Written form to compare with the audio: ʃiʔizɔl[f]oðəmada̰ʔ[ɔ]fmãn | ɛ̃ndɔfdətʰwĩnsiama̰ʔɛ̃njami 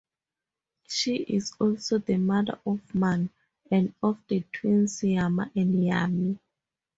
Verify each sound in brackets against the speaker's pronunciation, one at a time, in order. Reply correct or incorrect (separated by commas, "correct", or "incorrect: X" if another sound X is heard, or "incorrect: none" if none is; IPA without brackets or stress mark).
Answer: incorrect: s, correct